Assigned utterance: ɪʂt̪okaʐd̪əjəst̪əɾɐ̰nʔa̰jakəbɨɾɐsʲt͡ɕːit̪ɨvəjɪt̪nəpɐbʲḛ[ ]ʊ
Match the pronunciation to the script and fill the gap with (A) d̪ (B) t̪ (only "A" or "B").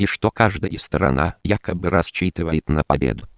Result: A